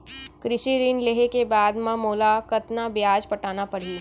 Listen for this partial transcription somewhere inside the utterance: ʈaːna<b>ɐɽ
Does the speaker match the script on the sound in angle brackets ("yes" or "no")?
no